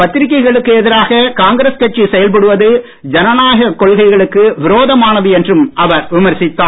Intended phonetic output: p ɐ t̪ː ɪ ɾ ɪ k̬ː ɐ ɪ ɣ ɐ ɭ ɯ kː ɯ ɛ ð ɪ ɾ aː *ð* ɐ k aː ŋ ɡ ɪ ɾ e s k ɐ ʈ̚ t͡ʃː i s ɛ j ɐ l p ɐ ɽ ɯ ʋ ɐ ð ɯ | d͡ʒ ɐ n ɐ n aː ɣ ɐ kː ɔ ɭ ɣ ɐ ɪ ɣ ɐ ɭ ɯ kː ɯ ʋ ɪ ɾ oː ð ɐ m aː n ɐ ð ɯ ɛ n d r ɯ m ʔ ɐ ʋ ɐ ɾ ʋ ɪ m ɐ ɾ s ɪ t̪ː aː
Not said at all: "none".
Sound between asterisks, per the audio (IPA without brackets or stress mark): ɣ